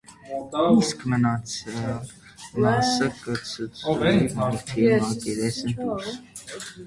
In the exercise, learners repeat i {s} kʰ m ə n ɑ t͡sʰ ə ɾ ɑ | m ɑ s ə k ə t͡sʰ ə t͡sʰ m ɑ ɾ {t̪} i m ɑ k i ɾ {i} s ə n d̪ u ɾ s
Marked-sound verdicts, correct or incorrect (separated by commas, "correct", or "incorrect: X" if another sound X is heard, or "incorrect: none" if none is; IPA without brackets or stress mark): correct, incorrect: t̪ʰ, incorrect: ɛ